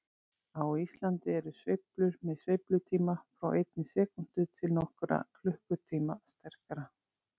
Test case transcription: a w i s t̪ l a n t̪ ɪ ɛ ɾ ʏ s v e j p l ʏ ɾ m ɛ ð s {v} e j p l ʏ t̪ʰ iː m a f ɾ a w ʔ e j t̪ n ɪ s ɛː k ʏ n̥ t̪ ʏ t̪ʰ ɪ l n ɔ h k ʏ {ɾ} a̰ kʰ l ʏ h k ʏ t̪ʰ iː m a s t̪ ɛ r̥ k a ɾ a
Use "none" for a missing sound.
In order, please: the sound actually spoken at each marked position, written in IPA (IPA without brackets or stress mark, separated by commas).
v, ɾ